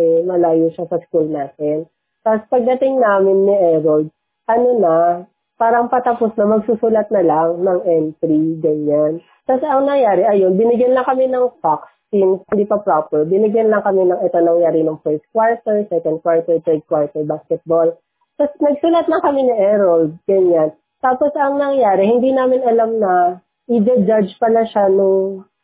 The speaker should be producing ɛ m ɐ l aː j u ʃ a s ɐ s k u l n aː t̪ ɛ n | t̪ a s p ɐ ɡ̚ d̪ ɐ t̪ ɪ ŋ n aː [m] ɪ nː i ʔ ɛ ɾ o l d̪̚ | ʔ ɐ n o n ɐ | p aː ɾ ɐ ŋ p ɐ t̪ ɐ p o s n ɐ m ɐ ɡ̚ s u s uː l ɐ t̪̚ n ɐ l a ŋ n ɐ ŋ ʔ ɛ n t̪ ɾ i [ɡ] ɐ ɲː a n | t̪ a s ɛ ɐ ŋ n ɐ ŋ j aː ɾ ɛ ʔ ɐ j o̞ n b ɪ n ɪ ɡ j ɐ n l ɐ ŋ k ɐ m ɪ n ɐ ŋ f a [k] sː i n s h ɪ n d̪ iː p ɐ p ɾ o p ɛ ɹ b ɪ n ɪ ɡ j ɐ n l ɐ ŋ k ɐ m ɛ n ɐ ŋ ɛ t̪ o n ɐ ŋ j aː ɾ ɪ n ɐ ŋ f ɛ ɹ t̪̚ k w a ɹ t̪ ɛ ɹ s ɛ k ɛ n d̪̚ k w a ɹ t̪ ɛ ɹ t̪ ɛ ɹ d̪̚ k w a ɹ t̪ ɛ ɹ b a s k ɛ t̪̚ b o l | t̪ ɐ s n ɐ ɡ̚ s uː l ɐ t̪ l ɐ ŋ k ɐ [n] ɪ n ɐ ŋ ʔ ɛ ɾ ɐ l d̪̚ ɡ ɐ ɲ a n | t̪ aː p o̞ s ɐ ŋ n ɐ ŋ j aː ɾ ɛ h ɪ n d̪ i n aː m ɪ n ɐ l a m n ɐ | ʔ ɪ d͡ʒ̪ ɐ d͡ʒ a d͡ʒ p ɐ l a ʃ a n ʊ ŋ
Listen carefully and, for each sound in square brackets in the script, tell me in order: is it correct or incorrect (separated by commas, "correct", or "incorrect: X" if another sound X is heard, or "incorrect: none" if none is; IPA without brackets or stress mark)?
correct, correct, correct, incorrect: m